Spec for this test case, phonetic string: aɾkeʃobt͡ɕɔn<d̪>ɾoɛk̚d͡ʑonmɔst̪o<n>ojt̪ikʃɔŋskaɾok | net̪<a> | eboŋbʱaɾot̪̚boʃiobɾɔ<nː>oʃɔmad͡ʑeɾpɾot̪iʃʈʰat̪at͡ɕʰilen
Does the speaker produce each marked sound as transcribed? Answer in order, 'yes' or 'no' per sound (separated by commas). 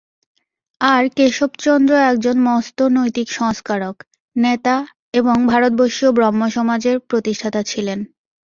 yes, yes, yes, no